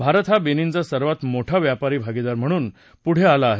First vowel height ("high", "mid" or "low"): low